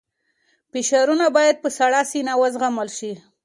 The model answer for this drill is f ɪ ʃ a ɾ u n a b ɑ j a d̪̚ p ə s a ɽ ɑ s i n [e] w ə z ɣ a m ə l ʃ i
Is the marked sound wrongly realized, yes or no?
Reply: yes